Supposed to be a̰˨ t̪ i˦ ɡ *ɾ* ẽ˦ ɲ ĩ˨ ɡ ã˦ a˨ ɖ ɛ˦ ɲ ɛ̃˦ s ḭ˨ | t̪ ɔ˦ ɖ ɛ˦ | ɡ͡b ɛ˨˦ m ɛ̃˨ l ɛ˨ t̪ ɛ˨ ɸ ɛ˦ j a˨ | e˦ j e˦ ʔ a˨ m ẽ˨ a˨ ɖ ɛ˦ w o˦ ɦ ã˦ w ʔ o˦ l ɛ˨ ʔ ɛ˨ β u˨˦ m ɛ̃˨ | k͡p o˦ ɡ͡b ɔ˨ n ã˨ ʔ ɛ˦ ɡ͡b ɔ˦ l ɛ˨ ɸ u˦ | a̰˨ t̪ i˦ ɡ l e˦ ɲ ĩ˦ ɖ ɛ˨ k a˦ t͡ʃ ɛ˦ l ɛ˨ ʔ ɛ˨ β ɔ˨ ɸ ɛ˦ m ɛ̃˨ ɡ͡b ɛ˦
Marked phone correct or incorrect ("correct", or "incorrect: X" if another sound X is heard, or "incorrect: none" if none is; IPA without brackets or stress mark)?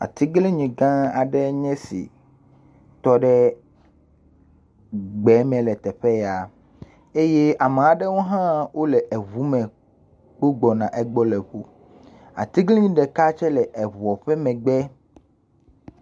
incorrect: l